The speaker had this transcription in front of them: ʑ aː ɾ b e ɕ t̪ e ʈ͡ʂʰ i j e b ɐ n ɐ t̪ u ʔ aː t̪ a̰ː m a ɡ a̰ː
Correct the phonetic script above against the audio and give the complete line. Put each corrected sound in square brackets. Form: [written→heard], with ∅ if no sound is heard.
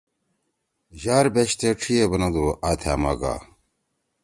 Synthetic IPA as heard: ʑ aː ɾ b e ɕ t̪ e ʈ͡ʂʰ i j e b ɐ n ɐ [t̪→d̪] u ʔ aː [t̪→t̪ʰ] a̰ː m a ɡ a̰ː